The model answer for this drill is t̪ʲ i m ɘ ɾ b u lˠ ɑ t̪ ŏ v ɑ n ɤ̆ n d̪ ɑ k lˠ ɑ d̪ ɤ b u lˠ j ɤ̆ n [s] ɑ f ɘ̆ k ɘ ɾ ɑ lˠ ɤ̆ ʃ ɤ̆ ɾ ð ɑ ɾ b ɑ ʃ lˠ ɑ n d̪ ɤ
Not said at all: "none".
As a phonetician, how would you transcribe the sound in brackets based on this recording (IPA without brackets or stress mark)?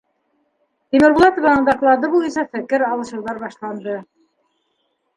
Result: s